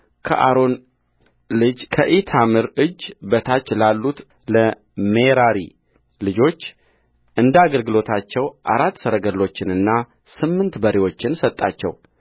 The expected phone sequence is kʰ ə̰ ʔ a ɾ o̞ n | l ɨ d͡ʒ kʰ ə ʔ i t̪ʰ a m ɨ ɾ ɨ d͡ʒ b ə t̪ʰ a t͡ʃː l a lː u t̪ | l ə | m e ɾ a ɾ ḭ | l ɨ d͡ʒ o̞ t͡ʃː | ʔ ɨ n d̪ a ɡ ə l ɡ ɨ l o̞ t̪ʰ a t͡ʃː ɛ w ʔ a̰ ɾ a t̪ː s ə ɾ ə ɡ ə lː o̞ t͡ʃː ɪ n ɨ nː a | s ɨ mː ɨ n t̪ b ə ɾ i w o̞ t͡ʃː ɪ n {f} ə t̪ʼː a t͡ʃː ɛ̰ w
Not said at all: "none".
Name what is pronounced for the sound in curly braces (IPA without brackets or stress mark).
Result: s